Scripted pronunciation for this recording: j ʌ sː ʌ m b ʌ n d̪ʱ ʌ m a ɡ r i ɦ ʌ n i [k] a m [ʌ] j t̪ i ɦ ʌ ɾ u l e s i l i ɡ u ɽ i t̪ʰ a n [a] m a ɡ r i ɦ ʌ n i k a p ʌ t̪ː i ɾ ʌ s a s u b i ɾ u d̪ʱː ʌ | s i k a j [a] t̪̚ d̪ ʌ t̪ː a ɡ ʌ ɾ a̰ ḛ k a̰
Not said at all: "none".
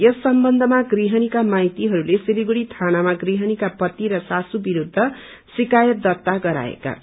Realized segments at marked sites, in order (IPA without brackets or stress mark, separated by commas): k, a, a, ʌ